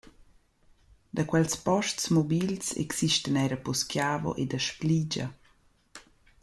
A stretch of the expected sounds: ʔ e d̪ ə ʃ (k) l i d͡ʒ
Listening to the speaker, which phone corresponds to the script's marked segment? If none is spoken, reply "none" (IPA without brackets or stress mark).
p